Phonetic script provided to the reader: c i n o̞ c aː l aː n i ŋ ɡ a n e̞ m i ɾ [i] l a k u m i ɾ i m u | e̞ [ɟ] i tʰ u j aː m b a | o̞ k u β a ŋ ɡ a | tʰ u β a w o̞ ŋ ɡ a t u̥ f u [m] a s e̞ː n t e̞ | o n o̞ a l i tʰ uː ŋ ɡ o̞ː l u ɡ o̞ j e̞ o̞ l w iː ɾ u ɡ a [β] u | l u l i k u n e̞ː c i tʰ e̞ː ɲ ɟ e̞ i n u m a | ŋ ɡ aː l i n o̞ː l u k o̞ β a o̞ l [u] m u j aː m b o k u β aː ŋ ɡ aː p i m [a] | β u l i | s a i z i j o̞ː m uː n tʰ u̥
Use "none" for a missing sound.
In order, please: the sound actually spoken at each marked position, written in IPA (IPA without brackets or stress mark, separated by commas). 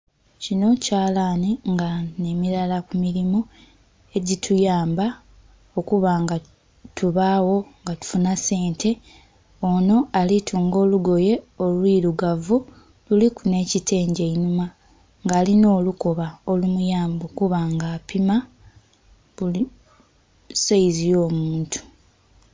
a, ɟ, n, v, u, a